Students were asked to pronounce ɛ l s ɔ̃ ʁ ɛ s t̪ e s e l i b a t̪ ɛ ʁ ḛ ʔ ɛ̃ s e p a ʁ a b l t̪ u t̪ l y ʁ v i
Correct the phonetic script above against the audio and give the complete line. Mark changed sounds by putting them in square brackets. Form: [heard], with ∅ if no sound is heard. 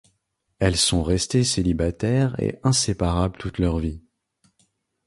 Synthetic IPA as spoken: ɛ l s ɔ̃ ʁ ɛ s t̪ e s e l i b a t̪ ɛ ʁ ḛ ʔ ɛ̃ s e p a ʁ a b l t̪ u t̪ l [œ] ʁ v i